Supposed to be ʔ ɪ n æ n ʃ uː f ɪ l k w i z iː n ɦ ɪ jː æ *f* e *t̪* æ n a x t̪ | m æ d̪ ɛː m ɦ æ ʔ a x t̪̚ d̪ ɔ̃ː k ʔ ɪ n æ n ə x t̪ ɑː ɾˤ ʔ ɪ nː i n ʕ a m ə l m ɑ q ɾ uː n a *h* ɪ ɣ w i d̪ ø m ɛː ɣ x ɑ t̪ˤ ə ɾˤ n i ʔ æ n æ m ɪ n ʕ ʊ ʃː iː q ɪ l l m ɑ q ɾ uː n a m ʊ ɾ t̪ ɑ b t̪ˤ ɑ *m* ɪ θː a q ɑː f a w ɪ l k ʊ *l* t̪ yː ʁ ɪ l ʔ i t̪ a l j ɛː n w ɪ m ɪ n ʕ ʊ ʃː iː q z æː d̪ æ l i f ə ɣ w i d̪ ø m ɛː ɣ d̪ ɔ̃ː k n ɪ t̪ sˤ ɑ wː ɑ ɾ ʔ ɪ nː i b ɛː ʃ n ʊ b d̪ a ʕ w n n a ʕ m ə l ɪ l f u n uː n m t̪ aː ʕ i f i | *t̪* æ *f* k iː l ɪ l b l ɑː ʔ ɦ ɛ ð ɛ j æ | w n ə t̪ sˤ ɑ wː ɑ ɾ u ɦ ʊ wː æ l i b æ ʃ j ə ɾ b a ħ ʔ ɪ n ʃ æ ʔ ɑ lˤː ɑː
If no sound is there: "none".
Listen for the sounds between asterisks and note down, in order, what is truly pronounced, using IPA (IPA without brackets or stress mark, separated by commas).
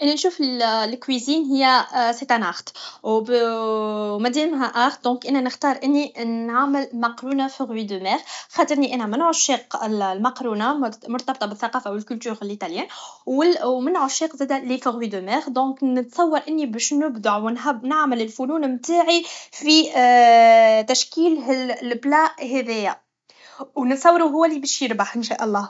s, t̪, f, b, l, t̪, ʃ